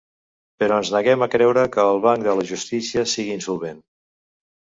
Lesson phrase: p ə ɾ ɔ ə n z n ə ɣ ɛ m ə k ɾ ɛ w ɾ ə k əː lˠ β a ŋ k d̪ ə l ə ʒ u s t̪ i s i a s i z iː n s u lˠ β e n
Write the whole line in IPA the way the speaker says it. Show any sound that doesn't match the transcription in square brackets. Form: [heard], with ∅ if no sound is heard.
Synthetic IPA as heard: p ə ɾ ɔ ə n z n ə ɣ ɛ m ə k ɾ ɛ w ɾ ə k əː lˠ β a ŋ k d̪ ə l ə ʒ u s t̪ i s i [ə] s i [ɣ] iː n s u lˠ β e n